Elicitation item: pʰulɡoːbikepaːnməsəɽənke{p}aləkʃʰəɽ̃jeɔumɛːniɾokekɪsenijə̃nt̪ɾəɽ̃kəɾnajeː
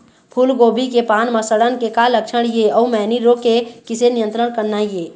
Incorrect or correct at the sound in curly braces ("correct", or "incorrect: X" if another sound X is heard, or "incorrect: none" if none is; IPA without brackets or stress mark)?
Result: incorrect: k